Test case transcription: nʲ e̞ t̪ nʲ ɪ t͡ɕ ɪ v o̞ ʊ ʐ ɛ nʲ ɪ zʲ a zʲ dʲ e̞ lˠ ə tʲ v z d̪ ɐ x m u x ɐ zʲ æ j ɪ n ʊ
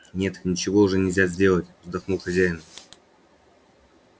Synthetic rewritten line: nʲ e̞ t̪ nʲ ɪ t͡ɕ ɪ v o̞ ʊ ʐ ɛ nʲ ɪ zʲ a zʲ dʲ e̞ lˠ ə tʲ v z d̪ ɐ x n u x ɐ zʲ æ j ɪ n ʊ